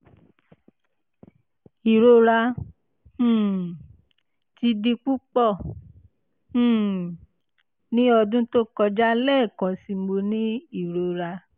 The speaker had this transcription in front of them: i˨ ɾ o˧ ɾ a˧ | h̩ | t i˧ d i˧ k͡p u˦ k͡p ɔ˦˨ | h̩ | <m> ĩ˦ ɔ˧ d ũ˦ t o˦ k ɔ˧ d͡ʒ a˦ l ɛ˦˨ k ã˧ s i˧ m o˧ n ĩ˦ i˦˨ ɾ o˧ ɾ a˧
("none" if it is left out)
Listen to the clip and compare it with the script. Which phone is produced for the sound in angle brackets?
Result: n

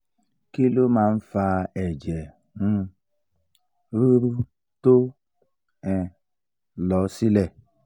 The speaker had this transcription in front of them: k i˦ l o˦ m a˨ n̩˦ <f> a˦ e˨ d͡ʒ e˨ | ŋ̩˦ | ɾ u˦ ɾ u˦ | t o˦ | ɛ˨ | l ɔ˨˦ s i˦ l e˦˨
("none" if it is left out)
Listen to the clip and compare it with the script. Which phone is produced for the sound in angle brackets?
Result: f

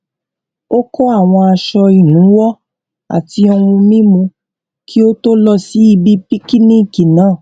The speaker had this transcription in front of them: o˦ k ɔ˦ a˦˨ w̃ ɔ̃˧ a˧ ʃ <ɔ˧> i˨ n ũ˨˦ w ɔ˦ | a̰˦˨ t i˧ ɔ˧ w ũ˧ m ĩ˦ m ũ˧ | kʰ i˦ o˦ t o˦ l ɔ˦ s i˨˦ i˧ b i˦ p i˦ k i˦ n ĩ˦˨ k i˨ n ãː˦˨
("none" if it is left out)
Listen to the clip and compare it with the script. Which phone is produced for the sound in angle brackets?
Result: ɔ˧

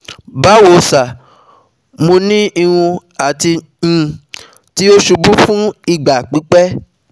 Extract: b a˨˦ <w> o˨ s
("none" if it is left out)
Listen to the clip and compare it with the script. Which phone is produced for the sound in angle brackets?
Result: w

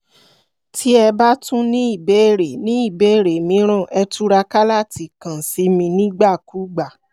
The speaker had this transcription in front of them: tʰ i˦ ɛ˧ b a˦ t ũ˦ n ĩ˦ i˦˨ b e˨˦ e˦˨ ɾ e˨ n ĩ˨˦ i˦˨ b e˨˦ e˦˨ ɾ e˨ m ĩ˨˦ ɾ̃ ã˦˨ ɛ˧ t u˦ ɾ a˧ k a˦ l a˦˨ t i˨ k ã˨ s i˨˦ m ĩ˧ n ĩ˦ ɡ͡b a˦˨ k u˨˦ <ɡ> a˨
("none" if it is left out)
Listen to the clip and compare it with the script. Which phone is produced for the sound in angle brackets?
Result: ɡ͡b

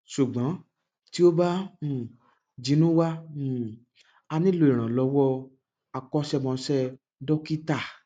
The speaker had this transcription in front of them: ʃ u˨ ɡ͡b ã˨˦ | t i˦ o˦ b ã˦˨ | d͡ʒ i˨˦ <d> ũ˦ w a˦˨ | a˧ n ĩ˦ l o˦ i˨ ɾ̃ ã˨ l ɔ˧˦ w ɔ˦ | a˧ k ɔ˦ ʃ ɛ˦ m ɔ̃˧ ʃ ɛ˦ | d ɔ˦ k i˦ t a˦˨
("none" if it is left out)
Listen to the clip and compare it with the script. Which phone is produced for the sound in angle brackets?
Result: n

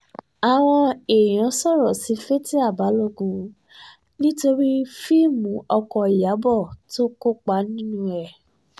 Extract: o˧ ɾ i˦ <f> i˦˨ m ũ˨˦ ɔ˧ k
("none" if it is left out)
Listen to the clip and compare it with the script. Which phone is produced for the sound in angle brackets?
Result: f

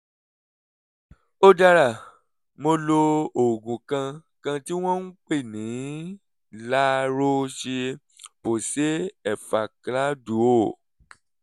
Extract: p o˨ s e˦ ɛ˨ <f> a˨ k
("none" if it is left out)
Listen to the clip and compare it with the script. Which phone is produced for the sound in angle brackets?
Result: f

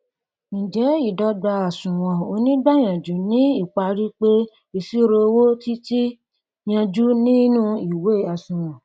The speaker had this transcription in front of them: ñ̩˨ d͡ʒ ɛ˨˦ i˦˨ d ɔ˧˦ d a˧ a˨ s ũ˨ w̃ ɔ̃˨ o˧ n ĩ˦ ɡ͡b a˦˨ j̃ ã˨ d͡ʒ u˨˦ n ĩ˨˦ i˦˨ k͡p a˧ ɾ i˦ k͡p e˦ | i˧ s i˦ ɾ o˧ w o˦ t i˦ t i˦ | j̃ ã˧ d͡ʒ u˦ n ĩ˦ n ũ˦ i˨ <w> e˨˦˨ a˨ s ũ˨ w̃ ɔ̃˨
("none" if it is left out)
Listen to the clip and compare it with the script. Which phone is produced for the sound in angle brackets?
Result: w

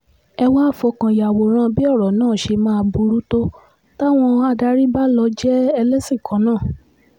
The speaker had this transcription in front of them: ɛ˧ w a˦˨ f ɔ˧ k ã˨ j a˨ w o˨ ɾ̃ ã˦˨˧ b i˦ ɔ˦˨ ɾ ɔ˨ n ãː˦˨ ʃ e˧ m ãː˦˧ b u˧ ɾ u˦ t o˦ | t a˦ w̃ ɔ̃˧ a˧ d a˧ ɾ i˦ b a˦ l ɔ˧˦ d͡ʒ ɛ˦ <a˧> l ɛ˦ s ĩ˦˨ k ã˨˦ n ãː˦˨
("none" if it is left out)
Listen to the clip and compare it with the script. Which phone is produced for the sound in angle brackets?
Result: ɛ˧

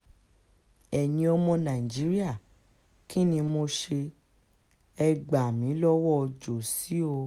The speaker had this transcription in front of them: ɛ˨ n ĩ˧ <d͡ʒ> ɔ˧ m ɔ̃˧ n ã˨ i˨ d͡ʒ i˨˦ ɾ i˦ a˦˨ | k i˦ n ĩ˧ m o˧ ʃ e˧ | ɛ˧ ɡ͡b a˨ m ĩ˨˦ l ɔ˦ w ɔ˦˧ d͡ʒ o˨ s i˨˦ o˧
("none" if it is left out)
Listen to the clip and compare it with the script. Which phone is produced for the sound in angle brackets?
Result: none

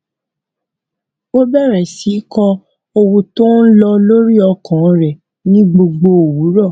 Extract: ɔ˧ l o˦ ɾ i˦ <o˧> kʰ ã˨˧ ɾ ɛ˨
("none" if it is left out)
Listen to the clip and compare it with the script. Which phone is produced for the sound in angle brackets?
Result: ɔ˧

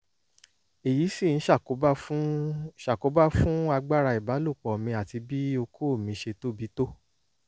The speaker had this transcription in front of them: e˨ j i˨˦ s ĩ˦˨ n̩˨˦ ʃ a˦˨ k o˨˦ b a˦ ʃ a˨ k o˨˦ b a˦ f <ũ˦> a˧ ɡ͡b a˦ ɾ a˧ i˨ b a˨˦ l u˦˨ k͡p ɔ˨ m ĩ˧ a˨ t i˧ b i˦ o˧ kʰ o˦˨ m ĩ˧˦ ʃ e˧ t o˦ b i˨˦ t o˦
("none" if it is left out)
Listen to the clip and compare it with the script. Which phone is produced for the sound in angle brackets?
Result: ũ˦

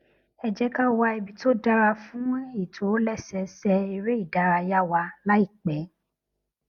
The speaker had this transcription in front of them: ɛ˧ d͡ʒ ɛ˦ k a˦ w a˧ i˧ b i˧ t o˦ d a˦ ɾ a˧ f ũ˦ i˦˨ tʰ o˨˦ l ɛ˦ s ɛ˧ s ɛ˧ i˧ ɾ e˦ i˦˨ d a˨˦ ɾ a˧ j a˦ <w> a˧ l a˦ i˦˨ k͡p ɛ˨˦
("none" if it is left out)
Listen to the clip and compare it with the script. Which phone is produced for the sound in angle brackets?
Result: w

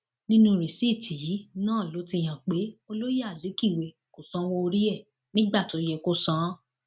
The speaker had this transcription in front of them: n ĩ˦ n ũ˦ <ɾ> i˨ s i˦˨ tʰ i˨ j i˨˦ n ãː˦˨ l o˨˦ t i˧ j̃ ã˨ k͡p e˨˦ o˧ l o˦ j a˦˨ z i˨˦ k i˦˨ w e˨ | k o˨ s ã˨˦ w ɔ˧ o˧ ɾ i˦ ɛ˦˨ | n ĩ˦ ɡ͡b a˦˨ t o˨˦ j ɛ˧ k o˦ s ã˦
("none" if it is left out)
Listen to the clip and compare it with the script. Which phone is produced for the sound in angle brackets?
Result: ɾ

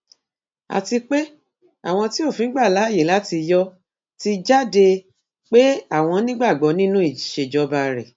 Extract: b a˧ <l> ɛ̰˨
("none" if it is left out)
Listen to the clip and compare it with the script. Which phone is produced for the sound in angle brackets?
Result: ɾ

